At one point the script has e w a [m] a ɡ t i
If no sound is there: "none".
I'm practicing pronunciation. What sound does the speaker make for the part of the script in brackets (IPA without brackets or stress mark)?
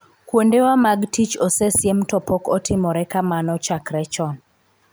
m